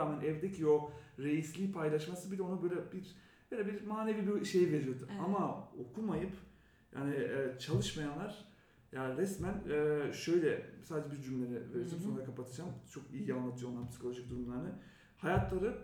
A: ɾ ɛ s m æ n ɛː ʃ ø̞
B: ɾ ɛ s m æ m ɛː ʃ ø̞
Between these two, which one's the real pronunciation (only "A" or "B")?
A